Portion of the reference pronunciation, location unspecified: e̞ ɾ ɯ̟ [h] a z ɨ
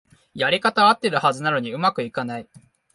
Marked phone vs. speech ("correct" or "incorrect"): correct